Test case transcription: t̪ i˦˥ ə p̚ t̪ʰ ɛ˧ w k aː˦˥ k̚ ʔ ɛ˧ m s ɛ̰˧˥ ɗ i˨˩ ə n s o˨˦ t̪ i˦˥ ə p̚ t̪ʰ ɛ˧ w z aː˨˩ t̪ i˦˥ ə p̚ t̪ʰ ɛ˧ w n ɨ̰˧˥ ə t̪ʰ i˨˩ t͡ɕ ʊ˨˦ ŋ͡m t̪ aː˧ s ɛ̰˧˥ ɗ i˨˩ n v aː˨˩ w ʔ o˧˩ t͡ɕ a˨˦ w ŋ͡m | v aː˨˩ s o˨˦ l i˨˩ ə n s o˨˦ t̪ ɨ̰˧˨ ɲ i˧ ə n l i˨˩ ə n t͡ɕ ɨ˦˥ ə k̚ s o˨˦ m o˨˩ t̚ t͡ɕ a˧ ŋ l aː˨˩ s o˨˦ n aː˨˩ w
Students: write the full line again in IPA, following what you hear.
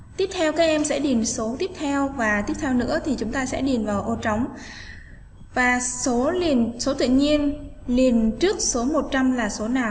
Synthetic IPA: t̪ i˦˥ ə p̚ t̪ʰ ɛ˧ w k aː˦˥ k̚ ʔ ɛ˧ m s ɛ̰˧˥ ɗ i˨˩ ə n s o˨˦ t̪ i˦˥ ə p̚ t̪ʰ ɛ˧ w v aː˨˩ t̪ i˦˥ ə p̚ t̪ʰ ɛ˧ w n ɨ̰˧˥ ə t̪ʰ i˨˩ t͡ɕ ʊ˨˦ ŋ͡m t̪ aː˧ s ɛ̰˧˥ ɗ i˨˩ n v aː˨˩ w ʔ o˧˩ t͡ɕ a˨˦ w ŋ͡m | v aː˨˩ s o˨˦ l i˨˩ ə n s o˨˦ t̪ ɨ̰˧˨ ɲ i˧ ə n l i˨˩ ə n t͡ɕ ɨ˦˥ ə k̚ s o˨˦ m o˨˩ t̚ t͡ɕ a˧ m l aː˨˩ s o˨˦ n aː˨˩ w